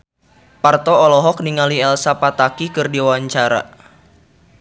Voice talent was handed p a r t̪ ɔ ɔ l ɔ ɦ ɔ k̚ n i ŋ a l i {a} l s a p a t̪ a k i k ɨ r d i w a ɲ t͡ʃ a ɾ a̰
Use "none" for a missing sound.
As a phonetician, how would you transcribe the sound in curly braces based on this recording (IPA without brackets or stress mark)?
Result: ɛ